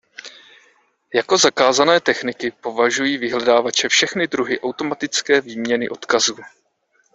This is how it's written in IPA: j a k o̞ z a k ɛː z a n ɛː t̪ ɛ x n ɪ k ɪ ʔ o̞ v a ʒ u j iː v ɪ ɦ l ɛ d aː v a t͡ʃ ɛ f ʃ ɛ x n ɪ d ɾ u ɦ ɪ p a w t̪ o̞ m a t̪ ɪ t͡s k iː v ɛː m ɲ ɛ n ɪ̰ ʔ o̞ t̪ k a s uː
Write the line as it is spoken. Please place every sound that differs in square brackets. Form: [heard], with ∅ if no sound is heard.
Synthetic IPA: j a k o̞ z a k [aː] z a n ɛː t̪ ɛ x n ɪ k ɪ [p] o̞ v a ʒ u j iː v ɪ ɦ l ɛ d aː v a t͡ʃ ɛ f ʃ ɛ x n ɪ d ɾ u ɦ ɪ [ʔ] a w t̪ o̞ m a t̪ ɪ t͡s k [ɛː] v [iː] m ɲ ɛ n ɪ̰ ʔ o̞ t̪ k a [z] uː